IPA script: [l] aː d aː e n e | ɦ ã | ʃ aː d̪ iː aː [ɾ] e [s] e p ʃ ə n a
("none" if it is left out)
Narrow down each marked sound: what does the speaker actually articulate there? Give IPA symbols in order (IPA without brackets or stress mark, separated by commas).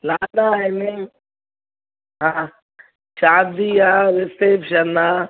l, ɾ, s